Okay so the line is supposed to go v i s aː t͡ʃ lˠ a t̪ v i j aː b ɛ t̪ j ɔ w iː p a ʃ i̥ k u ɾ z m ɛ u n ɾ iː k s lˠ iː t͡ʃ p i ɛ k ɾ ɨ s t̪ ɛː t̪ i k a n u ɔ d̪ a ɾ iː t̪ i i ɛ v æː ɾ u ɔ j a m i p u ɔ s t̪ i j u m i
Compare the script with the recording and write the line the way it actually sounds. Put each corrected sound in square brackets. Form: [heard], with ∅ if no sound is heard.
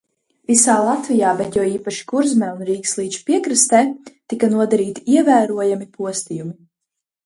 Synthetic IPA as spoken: v i s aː [∅] lˠ a t̪ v i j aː b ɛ t̪ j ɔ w iː p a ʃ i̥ k u ɾ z m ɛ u n ɾ iː k s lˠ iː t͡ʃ p i ɛ k ɾ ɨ s t̪ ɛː t̪ i k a n u ɔ d̪ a ɾ iː t̪ i i ɛ v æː ɾ u ɔ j a m i p u ɔ s t̪ i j u m i